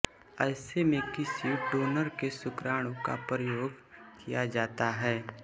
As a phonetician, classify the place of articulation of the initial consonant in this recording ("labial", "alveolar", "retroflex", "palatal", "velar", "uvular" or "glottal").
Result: alveolar